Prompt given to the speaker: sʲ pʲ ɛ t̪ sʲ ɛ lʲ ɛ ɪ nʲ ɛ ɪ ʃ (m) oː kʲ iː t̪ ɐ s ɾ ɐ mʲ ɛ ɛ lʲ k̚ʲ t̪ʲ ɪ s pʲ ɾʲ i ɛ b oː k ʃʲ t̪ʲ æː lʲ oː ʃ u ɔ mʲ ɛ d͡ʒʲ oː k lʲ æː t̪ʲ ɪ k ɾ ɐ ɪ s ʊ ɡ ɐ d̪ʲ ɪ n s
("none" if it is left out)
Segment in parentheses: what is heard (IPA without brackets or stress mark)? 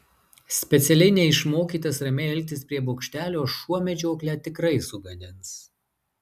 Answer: m